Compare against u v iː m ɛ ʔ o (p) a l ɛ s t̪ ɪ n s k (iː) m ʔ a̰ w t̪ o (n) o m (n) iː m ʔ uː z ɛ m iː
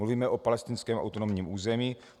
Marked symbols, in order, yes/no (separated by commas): yes, no, yes, no